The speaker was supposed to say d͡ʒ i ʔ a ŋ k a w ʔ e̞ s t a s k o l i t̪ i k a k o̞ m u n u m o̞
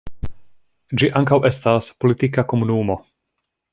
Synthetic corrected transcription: d͡ʒ i ʔ a ŋ k a w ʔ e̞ s t a s p o l i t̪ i k a k o̞ m u n u m o̞